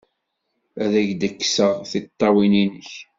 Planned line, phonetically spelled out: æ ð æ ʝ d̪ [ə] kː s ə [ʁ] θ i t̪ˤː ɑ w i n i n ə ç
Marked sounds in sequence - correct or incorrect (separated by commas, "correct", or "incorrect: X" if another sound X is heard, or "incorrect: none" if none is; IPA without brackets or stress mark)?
correct, correct